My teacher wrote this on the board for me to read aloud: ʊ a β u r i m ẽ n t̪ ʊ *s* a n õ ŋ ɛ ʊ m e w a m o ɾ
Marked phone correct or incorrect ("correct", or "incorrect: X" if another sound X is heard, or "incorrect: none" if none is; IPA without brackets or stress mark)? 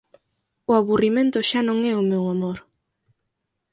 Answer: incorrect: ʃ